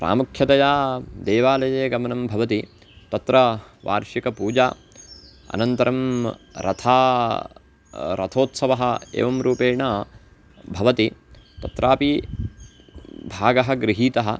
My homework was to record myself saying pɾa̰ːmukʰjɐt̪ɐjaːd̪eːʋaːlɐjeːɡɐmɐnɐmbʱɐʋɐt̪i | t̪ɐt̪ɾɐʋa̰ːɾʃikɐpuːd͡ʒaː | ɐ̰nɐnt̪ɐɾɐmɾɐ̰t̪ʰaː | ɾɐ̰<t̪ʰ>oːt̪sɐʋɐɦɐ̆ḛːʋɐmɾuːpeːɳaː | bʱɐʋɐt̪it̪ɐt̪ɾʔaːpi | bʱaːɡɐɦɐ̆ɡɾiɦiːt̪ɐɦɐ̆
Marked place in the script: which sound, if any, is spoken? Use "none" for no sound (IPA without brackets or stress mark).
t̪ʰ